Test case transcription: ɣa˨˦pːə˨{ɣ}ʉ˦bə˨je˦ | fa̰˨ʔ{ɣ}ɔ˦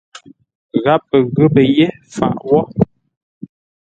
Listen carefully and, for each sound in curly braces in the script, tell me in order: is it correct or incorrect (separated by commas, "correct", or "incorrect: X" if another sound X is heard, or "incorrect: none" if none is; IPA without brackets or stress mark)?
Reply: correct, incorrect: w